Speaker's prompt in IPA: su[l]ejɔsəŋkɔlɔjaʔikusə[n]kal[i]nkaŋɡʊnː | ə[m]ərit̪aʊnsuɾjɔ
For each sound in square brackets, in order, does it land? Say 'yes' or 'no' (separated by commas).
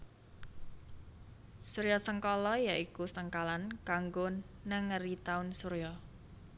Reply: no, no, no, no